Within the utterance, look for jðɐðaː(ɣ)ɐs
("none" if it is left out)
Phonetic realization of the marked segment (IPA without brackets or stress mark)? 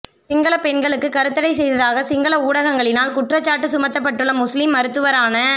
ɣ